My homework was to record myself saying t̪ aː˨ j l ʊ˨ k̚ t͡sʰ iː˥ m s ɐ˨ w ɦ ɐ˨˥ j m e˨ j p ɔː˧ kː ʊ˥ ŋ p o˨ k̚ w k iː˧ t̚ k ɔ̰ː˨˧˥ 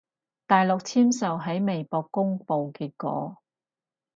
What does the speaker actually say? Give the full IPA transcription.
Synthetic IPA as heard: t̪ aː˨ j l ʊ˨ k̚ t͡sʰ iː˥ m s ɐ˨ w ɦ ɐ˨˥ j m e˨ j p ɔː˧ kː ʊ˥ ŋ p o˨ w k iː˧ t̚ k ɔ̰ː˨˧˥